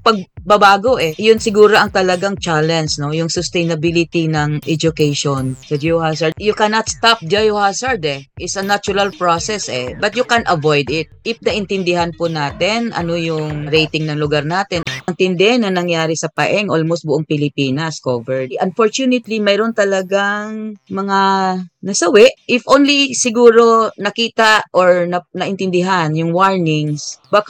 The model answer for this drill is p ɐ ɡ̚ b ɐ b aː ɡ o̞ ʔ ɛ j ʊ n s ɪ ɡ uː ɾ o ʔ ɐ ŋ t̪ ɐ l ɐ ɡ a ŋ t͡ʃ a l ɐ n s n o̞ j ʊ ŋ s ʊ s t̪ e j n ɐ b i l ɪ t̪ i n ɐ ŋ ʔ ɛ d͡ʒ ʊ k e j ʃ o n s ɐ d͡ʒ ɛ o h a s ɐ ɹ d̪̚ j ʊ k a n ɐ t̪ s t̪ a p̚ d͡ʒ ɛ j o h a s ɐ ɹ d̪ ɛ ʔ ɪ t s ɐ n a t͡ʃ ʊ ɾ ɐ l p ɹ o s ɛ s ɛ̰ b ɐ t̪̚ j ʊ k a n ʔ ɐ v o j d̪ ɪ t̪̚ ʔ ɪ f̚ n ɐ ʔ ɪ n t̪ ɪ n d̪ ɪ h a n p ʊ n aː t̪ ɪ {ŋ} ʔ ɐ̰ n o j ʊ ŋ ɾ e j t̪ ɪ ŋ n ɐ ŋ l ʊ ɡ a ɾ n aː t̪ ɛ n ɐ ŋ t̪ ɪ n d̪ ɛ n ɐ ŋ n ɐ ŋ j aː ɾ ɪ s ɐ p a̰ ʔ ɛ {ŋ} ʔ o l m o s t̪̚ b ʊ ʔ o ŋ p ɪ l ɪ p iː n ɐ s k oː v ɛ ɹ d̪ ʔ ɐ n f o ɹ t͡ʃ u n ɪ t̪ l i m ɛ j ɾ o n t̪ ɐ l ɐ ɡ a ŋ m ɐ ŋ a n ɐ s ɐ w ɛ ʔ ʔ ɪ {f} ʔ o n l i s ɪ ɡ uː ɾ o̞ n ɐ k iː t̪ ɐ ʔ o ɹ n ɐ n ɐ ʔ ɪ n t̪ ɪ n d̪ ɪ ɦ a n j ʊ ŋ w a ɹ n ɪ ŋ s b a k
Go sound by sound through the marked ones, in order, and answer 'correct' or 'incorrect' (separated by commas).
incorrect, correct, correct